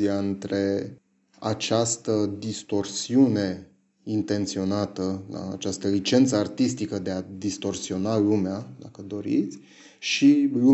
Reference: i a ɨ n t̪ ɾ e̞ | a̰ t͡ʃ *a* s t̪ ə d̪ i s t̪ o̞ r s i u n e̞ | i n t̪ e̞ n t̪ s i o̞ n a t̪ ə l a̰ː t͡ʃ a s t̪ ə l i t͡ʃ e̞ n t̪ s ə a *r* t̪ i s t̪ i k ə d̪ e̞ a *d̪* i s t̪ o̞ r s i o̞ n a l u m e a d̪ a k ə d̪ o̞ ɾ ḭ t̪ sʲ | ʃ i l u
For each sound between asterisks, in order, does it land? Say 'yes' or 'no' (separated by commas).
yes, yes, yes